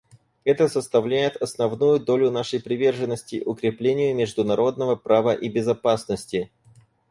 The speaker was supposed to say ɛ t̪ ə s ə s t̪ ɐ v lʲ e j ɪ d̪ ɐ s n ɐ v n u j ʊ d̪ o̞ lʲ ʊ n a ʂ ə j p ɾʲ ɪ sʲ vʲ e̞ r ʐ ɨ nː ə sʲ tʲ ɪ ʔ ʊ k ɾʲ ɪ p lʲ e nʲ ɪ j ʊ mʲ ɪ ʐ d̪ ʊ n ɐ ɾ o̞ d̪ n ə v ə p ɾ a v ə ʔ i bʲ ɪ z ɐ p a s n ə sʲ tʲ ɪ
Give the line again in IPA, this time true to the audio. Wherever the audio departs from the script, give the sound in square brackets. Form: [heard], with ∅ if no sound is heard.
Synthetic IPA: ɛ t̪ ə s ə s t̪ ɐ v lʲ [æ] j ɪ [t̪] ɐ s n ɐ v n u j ʊ d̪ o̞ lʲ ʊ n a ʂ ə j p ɾʲ ɪ [∅] vʲ e̞ r ʐ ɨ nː ə sʲ tʲ ɪ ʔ ʊ k ɾʲ ɪ p lʲ e nʲ ɪ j ʊ mʲ ɪ ʐ d̪ ʊ n ɐ ɾ o̞ d̪ n ə v ə p ɾ a v ə ʔ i bʲ ɪ z ɐ p a s n ə sʲ tʲ ɪ

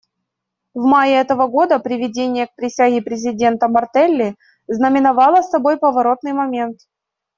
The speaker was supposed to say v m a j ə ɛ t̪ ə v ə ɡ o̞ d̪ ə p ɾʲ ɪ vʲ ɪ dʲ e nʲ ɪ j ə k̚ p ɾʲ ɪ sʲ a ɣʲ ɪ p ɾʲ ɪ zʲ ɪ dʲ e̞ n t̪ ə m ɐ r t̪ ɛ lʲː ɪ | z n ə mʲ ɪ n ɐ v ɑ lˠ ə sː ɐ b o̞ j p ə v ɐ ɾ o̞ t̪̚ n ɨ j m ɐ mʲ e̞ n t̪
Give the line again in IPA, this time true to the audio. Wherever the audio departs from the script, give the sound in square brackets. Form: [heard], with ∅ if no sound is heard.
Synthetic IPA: v m a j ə ɛ t̪ ə v ə ɡ o̞ d̪ ə p ɾʲ ɪ vʲ ɪ dʲ e nʲ ɪ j ə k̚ p ɾʲ ɪ sʲ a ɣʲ ɪ p ɾʲ ɪ zʲ ɪ dʲ e̞ n t̪ ə m ɐ r t̪ ɛ lʲː ɪ | z n ə mʲ ɪ n ɐ v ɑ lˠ ə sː ɐ b o̞ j p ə v ɐ ɾ o̞ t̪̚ n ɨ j m ɐ mʲ e̞ n t̪

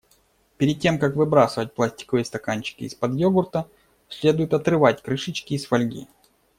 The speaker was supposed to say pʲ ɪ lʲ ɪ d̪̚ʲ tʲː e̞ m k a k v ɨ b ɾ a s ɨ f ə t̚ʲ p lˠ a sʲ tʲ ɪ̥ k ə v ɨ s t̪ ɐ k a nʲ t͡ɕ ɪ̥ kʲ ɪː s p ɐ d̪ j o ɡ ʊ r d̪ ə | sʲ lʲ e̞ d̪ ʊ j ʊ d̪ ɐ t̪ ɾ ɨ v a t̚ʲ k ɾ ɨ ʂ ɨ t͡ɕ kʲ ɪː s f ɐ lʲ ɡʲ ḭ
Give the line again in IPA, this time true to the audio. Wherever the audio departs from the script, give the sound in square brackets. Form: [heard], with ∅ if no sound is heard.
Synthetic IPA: pʲ ɪ [ɾʲ] ɪ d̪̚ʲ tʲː e̞ m k a k v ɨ b ɾ a s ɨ [v] ə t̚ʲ p lˠ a sʲ tʲ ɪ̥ k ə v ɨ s t̪ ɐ k a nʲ t͡ɕ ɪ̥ kʲ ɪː s p ɐ d̪ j o ɡ ʊ r [t̪] ə | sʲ lʲ e̞ d̪ ʊ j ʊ [t̪] ɐ t̪ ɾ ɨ v a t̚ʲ k ɾ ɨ ʂ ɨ t͡ɕ kʲ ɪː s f ɐ lʲ ɡʲ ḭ

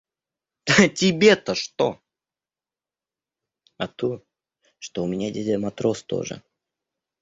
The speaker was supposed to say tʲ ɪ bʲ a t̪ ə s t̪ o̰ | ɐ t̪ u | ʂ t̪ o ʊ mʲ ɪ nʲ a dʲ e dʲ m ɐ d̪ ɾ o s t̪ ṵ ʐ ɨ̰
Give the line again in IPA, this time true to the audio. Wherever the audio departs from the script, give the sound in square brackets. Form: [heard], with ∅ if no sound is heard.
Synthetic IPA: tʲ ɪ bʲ [e] t̪ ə [ʂ] t̪ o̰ | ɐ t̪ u | ʂ t̪ o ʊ mʲ ɪ nʲ a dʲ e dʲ m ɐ [t̪] ɾ o s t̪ [o̰] ʐ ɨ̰

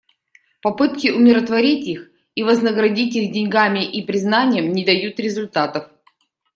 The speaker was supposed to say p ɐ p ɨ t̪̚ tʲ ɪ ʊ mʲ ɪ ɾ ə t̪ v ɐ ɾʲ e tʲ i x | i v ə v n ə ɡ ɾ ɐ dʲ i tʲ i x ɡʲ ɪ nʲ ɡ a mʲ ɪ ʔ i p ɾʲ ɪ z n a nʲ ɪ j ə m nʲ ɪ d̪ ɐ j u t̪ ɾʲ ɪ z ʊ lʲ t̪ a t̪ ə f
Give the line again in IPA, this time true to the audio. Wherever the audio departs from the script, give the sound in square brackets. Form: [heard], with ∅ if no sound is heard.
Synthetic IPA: p ɐ p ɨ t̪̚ [kʲ] ɪ ʊ mʲ ɪ ɾ ə t̪ v ɐ ɾʲ [i] tʲ i x | i v ə [z] n ə ɡ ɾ ɐ dʲ i tʲ i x [dʲ] ɪ nʲ ɡ a mʲ ɪ ʔ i p ɾʲ ɪ z n a nʲ ɪ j ə m nʲ ɪ d̪ ɐ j u t̪ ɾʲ ɪ z ʊ lʲ t̪ a t̪ ə f

